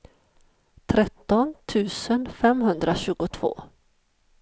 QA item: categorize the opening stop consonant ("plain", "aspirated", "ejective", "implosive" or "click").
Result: aspirated